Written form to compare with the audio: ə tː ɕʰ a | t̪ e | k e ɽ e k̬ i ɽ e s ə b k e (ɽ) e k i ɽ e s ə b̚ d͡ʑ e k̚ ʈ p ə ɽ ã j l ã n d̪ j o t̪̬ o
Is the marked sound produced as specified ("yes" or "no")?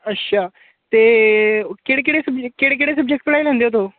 yes